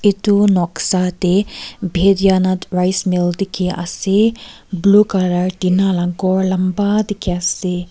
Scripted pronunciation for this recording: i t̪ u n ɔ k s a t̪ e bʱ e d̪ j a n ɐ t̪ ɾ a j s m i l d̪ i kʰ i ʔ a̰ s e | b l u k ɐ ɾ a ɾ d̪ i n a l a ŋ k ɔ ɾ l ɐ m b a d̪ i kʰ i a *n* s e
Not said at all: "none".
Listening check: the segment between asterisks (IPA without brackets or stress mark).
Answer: none